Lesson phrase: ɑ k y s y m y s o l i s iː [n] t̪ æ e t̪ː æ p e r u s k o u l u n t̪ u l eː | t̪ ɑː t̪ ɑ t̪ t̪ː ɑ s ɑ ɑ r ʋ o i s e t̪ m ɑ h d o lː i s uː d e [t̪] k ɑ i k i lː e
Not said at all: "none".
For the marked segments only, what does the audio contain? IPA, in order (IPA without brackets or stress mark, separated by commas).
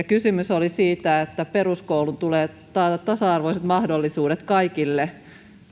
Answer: none, t̪